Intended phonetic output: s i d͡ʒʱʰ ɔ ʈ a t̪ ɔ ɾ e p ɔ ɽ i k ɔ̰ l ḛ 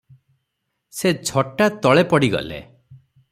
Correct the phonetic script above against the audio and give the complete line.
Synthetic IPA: s e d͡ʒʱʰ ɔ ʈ a t̪ ɔ ɭ e p ɔ ɽ i ɡ ɔ̰ l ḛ

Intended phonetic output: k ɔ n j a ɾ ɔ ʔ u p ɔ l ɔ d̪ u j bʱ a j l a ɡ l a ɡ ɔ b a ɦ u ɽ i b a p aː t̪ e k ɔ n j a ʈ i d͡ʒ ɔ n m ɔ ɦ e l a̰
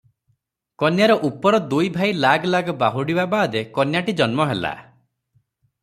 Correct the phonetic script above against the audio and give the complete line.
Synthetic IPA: k ɔ n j a ɾ ɔ ʔ u p ɔ ɾ ɔ d̪ u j bʱ a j l a ɡ l a ɡ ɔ b a ɦ u ɽ i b a b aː d̪ e k ɔ n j a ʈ i d͡ʒ ɔ n m ɔ ɦ e l a̰

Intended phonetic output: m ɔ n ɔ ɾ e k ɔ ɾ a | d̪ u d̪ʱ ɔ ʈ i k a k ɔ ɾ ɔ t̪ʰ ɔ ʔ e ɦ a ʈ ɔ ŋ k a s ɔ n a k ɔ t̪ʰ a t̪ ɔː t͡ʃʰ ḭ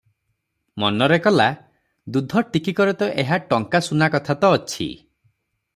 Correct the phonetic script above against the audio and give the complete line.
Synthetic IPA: m ɔ n ɔ ɾ e k ɔ l a | d̪ u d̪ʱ ɔ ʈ i k i k ɔ ɾ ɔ t̪ ɔ ʔ e ɦ a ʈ ɔ ŋ k a s u n a k ɔ t̪ʰ a t̪ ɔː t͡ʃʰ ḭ

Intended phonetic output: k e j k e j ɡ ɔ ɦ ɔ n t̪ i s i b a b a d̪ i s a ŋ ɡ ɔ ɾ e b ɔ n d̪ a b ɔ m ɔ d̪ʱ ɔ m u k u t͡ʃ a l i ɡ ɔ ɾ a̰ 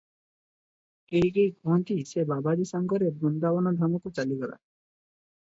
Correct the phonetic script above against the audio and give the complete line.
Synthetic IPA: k e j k e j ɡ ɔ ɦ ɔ n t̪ i s e b a b a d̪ i s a ŋ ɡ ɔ ɾ e b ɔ n d̪ a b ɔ n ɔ d̪ʱ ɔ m ɔ k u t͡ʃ a l i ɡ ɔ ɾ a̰

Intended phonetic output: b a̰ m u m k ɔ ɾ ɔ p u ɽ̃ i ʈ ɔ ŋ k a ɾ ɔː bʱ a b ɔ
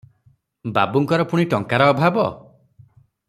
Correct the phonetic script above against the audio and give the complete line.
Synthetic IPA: b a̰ b u ŋ k ɔ ɾ ɔ p u ɽ̃ i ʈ ɔ ŋ k a ɾ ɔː bʱ a b ɔ

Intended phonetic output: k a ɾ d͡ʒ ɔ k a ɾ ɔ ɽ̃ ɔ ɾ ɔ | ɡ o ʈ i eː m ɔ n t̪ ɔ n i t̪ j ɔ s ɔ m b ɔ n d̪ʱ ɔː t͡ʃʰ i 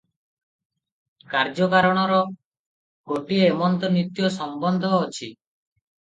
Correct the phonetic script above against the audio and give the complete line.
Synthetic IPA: k a ɾ d͡ʒ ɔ k a ɾ ɔ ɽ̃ ɔ ɾ ɔ | ɡ o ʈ i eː m ɔ n t̪ ɔ n i t̪ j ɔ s ɔ m b ɔ n d̪ʱ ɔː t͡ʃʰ i

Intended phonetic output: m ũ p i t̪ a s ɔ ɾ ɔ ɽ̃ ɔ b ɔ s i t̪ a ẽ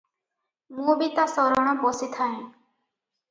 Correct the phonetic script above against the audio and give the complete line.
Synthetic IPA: m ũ b i t̪ a s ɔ ɾ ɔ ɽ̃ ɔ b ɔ s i t̪ʰ a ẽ

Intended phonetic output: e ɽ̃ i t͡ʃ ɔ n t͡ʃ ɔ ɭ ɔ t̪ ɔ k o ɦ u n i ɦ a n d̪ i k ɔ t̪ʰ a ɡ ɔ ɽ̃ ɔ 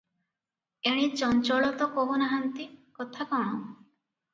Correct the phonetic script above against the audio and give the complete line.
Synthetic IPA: e ɽ̃ i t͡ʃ ɔ n t͡ʃ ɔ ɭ ɔ t̪ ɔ k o ɦ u n a ɦ a n t̪ i k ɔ t̪ʰ a k ɔ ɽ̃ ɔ

